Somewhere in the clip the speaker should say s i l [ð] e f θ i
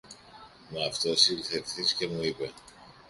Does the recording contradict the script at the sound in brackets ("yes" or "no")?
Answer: yes